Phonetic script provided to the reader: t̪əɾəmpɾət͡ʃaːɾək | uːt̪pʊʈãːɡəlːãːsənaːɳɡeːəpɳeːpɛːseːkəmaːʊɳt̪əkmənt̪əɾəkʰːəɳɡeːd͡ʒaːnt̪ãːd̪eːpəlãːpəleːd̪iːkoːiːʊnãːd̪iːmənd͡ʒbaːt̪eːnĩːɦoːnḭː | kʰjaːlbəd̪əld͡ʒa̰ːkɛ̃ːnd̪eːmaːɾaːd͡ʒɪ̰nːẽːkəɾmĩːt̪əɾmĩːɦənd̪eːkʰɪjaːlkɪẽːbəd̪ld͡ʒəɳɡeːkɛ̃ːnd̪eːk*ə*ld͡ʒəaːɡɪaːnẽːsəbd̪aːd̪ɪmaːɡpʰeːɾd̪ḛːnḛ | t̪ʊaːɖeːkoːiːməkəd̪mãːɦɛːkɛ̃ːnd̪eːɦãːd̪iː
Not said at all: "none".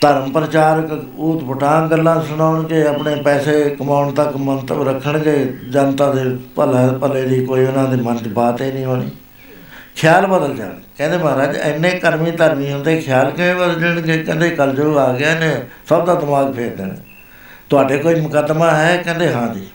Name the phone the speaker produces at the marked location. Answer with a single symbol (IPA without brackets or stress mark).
ə